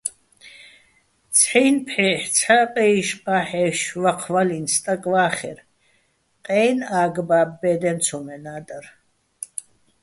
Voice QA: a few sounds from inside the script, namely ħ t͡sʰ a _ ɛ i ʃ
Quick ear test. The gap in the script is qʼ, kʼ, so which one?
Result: qʼ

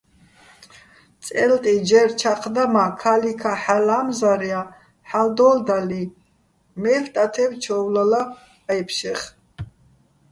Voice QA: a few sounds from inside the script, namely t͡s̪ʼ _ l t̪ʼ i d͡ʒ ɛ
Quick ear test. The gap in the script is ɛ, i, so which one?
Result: ɛ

